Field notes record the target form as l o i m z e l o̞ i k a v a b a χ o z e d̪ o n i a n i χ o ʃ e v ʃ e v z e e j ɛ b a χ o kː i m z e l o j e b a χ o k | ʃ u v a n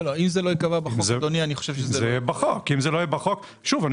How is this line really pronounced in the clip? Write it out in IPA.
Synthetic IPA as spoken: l o i m z e l o̞ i k a v a b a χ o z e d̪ o n i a n i χ o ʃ e v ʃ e z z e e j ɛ b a χ o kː i m z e l o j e b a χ o k | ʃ u v a n